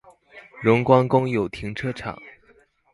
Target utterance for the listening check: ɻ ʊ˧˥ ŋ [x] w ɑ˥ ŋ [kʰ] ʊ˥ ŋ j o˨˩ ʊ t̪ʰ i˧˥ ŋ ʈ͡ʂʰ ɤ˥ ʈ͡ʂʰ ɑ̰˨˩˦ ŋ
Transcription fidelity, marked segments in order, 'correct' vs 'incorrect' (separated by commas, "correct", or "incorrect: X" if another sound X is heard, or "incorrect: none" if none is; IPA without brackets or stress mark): incorrect: k, incorrect: k